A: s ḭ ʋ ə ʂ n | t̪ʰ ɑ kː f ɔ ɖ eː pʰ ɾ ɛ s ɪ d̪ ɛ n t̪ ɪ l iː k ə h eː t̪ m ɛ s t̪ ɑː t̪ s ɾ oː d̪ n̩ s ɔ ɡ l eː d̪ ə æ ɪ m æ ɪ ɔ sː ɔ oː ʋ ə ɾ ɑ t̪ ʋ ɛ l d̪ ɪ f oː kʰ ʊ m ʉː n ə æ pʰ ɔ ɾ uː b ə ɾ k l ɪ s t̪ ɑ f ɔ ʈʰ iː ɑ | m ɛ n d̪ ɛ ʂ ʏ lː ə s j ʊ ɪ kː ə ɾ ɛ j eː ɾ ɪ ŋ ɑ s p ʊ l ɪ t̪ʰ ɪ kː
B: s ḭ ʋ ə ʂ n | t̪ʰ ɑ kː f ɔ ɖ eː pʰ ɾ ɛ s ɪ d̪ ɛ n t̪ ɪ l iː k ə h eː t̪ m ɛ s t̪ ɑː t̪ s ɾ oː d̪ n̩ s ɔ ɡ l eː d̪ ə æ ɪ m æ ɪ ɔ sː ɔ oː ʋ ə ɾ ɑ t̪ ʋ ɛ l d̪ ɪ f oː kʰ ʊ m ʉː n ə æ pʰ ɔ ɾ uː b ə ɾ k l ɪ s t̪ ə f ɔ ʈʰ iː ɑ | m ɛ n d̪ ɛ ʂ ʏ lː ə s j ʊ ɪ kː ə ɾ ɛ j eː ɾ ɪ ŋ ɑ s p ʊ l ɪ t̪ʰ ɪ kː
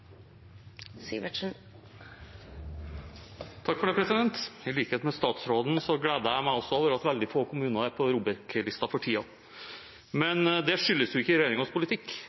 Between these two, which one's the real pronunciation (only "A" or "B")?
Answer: A